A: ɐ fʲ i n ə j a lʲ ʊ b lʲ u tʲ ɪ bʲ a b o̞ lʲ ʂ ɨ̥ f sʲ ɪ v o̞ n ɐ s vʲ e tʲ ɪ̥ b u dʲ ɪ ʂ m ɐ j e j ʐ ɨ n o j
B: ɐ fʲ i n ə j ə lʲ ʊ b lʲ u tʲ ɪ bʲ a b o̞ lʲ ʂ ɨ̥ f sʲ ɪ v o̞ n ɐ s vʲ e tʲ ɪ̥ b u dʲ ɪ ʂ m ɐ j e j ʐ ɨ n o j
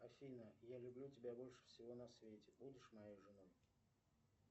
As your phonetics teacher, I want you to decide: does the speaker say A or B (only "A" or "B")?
A